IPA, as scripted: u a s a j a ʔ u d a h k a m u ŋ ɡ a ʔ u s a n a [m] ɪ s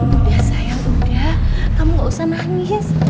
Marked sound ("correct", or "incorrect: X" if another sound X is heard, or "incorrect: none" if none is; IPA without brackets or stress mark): incorrect: ŋ